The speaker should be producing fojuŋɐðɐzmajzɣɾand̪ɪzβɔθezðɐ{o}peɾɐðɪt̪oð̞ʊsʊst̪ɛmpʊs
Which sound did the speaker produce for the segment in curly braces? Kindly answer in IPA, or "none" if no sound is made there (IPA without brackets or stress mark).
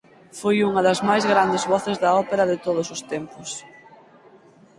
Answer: ɔ